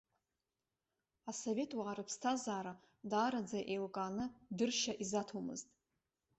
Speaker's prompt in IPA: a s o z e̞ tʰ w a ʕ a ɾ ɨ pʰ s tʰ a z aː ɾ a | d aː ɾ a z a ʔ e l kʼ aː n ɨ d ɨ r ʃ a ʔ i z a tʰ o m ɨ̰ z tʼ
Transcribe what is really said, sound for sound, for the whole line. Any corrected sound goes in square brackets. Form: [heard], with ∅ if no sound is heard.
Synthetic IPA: a s o [v] e̞ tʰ w a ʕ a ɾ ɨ pʰ s tʰ a z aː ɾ a | d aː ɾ a [d͡z] a ʔ e l kʼ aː n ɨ d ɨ r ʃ a ʔ i z a tʰ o m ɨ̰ z tʼ